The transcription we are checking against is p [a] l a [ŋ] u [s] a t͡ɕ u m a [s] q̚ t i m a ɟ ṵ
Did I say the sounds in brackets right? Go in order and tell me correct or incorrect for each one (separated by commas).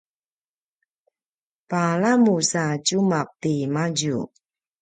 correct, incorrect, correct, incorrect